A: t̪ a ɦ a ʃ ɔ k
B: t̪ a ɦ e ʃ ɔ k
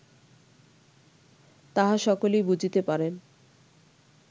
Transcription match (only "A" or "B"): A